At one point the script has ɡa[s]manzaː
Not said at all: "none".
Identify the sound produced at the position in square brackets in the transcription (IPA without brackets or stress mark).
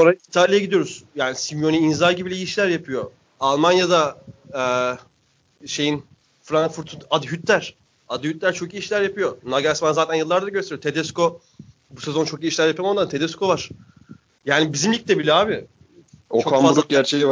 s